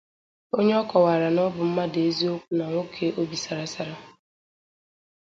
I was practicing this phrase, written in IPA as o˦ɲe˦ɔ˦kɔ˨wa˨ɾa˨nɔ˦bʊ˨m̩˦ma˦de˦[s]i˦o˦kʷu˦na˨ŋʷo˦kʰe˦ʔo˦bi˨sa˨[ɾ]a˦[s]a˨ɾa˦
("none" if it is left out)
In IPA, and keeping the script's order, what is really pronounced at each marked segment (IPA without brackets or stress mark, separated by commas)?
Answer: z, ɾ, s